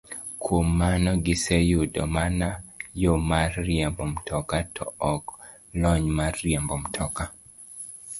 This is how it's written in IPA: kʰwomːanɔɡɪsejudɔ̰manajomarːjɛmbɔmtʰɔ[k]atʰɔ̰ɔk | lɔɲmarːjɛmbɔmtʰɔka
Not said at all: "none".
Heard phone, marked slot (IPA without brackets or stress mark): k